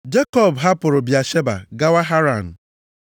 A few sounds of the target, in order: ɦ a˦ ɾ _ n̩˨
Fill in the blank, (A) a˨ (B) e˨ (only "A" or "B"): A